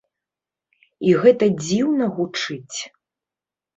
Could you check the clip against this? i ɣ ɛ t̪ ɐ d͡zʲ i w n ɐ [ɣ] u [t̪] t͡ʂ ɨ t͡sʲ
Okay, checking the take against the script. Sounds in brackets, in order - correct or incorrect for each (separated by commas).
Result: correct, incorrect